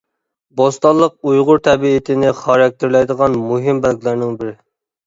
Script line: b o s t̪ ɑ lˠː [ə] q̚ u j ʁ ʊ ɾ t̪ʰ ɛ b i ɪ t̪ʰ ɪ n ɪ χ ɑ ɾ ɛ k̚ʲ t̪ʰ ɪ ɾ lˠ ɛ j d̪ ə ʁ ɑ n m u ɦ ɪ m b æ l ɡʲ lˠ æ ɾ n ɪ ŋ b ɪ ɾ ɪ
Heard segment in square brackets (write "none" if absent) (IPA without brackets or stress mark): ə